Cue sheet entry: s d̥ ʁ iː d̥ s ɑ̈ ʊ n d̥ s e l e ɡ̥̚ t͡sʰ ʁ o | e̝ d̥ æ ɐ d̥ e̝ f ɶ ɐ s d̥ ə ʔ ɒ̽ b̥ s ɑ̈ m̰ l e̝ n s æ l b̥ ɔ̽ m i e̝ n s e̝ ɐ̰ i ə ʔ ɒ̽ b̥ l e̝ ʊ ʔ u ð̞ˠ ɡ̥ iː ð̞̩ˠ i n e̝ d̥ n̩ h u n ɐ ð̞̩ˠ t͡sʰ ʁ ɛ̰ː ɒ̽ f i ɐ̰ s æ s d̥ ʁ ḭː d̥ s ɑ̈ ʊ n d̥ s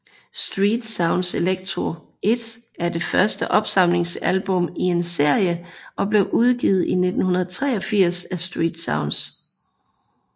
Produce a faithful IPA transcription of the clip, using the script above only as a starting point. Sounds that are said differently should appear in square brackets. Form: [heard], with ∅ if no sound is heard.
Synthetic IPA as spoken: s d̥ ʁ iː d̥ s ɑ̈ ʊ n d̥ s e l e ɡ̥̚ t͡sʰ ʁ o | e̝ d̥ æ ɐ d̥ e̝ f ɶ ɐ s d̥ ə ʔ ɒ̽ b̥ s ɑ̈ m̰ l e̝ [ŋ] s æ l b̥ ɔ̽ m i e̝ n s e̝ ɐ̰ [j] ə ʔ ɒ̽ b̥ l e̝ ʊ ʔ u ð̞ˠ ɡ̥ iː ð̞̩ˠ i n e̝ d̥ n̩ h u n ɐ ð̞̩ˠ t͡sʰ ʁ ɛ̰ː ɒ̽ f i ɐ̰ s æ s d̥ ʁ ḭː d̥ s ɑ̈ ʊ n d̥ s